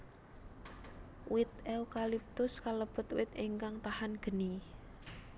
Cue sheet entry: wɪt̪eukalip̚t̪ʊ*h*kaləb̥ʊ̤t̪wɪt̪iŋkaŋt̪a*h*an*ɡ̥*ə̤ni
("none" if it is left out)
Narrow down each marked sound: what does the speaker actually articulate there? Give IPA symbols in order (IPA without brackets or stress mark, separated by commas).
s, h, ɡ̥